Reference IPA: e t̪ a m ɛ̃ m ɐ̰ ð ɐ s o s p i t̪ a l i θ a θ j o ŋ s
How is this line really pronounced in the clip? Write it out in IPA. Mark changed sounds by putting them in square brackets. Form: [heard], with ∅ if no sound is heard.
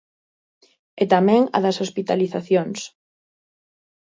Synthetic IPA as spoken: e t̪ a m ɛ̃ [ŋ] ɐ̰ ð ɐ s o s p i t̪ a l i θ a θ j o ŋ s